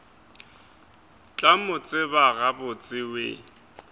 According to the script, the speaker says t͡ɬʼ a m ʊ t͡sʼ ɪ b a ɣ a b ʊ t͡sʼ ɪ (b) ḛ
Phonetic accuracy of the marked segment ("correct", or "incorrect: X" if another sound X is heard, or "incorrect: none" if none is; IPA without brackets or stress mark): incorrect: w